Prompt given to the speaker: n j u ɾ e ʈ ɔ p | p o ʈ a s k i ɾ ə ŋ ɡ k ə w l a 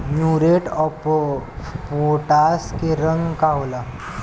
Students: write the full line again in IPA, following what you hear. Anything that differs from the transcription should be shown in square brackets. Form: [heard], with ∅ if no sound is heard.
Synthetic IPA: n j u ɾ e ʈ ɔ p | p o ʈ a s k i ɾ ə ŋ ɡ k [a] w l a